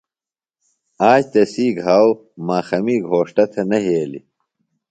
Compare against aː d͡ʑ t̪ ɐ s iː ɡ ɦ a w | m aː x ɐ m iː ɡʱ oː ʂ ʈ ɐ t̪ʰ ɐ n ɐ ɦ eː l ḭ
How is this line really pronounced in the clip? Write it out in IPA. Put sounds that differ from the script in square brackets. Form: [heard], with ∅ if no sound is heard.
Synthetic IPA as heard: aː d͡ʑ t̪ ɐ s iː ɡ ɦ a w | m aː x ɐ m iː ɡʱ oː ʂ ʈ ɐ t̪ʰ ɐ n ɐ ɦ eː l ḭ